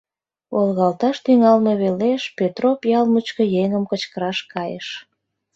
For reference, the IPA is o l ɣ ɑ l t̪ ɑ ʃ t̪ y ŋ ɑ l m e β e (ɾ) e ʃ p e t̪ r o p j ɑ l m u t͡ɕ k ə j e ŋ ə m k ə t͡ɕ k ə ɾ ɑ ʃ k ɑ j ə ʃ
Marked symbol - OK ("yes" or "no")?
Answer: no